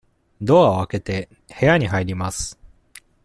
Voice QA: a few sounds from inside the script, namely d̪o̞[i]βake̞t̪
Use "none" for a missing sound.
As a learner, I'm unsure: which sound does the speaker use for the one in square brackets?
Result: a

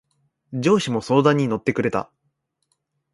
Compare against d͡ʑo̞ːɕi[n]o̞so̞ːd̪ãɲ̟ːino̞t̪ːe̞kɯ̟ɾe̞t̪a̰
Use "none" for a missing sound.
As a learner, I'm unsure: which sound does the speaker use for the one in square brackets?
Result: m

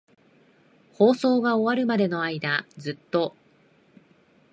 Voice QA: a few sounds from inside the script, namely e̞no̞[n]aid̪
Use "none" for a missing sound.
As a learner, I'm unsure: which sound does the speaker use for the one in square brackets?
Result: none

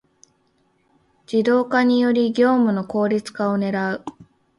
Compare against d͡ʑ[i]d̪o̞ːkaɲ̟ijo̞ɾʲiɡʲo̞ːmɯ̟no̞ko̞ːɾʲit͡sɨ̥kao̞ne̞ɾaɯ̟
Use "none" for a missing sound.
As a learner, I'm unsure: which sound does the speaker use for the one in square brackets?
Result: i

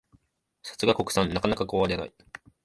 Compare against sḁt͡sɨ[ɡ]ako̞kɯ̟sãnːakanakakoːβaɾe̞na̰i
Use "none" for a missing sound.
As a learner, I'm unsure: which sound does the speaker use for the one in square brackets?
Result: ɡ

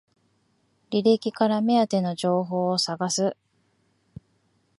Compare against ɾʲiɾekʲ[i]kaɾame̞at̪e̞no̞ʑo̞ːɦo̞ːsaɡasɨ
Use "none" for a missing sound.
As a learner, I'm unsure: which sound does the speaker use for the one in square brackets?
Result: i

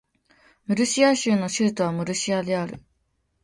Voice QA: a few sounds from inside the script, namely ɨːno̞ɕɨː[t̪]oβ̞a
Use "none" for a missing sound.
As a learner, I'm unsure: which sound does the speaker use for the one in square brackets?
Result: t̪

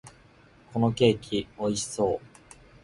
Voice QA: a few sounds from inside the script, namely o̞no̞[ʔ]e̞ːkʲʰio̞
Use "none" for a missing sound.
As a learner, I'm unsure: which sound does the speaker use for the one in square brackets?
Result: k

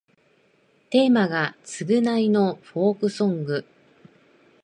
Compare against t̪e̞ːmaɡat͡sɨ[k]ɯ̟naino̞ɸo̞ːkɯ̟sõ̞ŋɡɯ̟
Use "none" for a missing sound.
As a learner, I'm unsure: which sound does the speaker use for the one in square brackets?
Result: ɡ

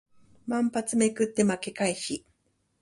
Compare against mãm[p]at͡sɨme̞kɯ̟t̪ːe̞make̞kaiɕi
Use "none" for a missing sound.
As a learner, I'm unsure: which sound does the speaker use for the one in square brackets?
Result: p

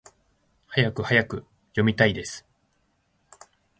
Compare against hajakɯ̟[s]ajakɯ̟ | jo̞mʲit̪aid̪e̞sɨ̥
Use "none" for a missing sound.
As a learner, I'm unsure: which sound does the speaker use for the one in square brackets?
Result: h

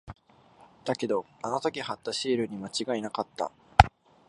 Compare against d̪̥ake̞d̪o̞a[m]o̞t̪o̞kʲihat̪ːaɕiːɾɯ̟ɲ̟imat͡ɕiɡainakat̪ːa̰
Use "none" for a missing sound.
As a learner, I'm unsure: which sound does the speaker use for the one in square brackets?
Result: n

